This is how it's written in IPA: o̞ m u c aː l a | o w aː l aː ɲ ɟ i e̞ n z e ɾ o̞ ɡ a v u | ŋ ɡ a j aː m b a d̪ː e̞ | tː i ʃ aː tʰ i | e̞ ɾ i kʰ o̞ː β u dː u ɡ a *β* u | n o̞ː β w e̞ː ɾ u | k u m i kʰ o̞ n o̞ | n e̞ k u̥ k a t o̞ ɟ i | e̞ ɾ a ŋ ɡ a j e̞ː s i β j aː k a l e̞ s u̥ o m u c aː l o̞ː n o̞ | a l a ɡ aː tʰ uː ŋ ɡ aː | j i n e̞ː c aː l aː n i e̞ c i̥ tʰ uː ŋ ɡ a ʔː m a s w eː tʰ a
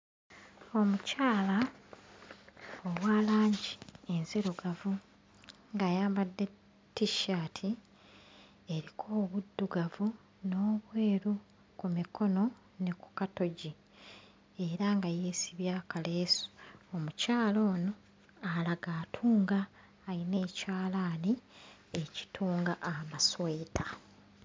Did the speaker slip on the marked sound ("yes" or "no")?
yes